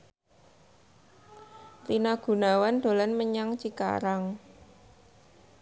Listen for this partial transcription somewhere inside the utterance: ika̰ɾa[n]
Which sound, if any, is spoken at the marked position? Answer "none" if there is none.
ŋ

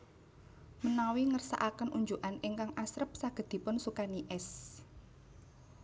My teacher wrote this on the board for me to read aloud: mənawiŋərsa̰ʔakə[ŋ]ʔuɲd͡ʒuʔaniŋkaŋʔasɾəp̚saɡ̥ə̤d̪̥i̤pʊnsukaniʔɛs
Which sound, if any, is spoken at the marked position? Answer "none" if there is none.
n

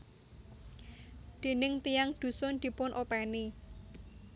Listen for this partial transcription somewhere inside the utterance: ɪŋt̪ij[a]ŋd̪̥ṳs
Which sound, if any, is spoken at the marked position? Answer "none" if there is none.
a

